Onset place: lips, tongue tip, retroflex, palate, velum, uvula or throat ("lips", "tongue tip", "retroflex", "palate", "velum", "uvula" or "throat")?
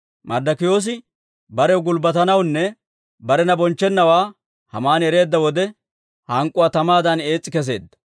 lips